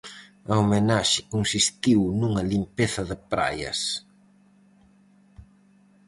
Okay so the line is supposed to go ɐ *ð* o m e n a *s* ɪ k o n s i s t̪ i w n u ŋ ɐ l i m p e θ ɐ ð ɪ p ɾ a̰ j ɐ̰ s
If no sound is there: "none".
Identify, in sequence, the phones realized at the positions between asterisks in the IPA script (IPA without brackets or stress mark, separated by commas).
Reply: none, ʃ